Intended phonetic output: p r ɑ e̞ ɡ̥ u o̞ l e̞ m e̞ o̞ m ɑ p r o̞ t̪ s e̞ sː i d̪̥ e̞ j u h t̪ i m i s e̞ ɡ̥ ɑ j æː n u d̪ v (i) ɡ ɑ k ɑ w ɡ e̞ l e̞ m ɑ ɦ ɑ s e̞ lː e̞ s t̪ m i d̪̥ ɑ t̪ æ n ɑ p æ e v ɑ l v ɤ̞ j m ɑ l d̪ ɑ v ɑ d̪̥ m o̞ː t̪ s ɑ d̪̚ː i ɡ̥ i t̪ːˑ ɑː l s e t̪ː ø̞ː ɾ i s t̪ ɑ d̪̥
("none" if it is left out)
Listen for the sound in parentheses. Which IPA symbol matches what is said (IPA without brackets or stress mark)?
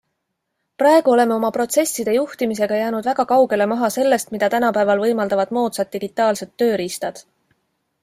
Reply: æ